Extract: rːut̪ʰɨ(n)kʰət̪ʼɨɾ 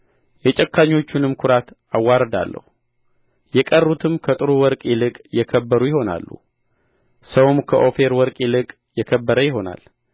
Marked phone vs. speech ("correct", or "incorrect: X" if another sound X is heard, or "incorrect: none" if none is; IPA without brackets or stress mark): incorrect: m